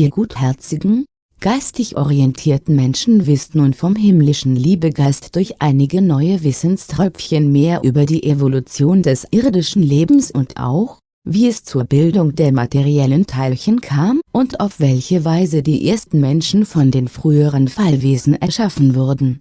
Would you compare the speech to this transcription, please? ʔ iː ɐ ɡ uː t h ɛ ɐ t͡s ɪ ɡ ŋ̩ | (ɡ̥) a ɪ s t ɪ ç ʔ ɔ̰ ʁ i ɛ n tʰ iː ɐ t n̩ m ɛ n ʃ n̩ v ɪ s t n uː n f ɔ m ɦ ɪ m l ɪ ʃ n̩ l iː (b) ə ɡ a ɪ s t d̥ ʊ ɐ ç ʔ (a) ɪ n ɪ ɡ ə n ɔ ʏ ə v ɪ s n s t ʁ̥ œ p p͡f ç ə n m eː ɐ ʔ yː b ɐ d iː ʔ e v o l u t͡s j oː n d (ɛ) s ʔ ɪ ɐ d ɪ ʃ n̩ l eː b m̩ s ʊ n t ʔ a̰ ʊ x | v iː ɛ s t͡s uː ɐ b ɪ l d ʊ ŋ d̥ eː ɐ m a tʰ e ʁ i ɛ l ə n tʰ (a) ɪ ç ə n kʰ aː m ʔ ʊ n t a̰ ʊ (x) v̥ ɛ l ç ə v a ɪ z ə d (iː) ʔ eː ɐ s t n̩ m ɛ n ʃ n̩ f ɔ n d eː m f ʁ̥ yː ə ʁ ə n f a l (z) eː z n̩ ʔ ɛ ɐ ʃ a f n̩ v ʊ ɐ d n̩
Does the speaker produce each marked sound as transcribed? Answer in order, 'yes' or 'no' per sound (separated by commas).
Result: yes, yes, yes, yes, yes, no, yes, no